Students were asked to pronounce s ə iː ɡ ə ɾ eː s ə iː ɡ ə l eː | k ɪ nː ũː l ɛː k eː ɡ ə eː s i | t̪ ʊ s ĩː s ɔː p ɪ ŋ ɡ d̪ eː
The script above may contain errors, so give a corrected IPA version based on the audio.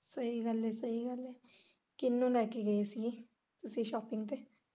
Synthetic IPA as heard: s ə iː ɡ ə l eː s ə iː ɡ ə l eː | k ɪ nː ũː l ɛː k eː ɡ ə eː s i | t̪ ʊ s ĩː ʃ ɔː p ɪ ŋ ɡ t̪ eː